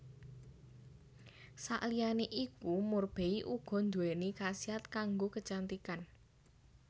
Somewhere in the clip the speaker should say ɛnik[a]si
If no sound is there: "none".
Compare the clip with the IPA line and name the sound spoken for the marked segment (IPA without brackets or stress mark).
a